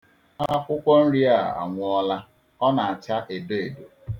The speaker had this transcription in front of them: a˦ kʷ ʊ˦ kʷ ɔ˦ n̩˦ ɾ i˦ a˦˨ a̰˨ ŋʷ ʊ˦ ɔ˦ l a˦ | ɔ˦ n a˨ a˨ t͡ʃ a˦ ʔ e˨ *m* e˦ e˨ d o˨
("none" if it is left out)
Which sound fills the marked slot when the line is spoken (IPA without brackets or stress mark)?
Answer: b